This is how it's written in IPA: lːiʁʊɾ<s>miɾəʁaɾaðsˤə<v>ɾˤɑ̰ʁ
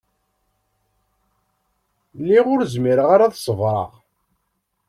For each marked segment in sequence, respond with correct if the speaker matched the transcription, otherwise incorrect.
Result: incorrect: z, correct

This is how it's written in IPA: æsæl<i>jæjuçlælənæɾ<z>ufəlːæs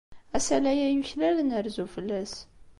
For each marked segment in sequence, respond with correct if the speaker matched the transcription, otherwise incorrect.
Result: incorrect: æ, correct

